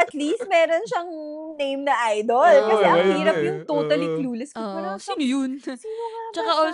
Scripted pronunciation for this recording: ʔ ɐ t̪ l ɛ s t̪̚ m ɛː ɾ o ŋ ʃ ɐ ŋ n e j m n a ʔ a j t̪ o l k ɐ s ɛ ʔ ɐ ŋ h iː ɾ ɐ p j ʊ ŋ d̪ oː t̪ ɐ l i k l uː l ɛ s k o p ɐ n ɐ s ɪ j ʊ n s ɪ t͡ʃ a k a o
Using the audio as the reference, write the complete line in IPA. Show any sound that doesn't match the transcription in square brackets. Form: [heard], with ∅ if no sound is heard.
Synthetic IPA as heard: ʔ ɐ t̪ l [i] s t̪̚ m ɛː ɾ o [n] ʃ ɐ ŋ n e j m n [ɐ] ʔ a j [d̪] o l k ɐ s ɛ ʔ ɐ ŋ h iː ɾ ɐ p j ʊ ŋ [t̪] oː t̪ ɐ l i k l uː l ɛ s k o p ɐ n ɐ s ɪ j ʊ n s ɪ t͡ʃ [ɐ] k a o